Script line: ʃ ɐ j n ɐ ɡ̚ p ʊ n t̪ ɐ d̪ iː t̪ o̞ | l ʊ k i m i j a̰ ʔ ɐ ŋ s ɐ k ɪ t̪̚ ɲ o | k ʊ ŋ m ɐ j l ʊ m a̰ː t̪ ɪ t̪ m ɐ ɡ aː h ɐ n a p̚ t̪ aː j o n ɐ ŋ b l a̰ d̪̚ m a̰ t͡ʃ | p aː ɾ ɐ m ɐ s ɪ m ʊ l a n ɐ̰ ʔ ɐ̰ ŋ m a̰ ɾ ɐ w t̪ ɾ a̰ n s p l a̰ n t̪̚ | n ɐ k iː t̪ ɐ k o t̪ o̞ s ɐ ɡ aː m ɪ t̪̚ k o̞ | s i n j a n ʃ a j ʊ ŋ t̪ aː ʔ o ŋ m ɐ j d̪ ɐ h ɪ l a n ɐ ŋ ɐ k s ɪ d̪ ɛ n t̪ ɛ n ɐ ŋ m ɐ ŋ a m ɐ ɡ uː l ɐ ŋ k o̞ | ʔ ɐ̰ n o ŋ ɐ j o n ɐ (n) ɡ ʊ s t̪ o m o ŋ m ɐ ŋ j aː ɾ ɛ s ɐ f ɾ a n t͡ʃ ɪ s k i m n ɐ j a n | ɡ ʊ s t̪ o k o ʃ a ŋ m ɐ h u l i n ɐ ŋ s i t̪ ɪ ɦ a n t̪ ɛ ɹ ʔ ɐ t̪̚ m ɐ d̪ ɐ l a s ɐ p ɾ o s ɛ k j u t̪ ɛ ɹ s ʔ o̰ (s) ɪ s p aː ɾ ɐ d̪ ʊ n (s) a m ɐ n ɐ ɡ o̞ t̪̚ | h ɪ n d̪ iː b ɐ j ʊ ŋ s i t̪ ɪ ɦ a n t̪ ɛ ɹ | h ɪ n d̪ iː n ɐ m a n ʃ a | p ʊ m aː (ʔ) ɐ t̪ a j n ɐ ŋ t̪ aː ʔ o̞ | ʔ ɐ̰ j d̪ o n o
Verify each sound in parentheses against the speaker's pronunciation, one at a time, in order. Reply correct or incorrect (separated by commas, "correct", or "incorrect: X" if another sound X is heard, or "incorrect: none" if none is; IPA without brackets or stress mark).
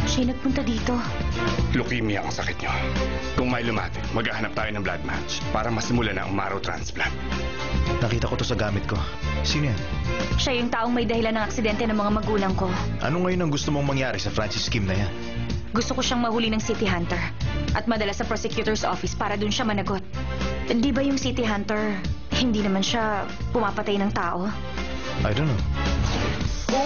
incorrect: ŋ, incorrect: f, incorrect: ʃ, incorrect: p